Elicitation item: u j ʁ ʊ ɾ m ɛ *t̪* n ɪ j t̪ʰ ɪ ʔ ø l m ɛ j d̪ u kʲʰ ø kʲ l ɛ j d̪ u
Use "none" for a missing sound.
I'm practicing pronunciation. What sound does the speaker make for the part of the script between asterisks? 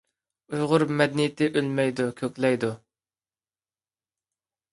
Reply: d̪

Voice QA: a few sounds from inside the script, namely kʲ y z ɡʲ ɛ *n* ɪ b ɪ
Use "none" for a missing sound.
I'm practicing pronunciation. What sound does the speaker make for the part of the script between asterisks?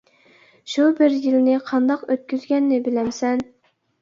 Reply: nː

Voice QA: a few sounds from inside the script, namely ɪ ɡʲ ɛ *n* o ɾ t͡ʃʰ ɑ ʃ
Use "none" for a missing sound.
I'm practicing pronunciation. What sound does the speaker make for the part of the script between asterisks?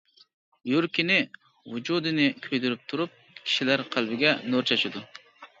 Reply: n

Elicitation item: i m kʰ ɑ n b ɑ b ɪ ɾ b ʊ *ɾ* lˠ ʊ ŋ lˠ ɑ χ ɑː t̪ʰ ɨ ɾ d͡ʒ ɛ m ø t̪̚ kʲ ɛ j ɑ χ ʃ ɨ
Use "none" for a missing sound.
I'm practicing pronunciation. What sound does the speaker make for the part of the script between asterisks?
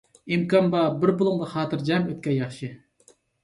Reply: none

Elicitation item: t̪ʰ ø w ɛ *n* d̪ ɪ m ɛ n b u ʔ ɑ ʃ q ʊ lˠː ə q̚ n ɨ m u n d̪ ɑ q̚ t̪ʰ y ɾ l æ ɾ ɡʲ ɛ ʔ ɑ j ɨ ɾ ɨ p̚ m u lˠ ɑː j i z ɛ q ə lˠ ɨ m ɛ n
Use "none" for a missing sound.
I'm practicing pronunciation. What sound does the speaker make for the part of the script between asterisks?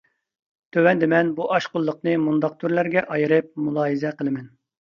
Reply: n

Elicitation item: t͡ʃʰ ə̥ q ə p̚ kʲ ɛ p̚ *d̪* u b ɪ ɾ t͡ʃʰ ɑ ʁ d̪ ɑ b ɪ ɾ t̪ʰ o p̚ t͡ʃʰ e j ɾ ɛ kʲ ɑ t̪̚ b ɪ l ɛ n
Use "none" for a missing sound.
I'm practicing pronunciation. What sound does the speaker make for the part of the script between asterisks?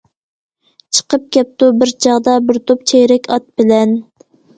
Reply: t̪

